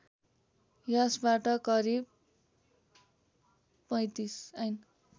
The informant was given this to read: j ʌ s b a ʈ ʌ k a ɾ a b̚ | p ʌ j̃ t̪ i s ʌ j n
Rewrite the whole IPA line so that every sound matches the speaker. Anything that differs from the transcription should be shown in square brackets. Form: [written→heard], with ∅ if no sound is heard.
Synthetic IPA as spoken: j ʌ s b a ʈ ʌ k [a→ʌ] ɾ [a→i] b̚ | p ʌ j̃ t̪ i s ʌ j n